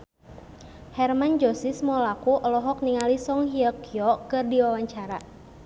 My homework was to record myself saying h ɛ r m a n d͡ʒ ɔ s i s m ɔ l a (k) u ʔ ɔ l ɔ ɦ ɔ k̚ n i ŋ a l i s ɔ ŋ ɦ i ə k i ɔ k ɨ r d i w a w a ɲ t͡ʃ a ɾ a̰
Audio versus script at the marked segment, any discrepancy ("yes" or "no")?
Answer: no